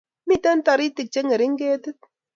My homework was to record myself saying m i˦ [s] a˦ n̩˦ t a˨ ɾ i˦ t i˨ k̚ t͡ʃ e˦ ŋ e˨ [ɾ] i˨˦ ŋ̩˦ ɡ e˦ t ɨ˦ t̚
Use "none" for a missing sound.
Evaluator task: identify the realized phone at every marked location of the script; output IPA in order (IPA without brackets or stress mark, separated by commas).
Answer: t, ɾ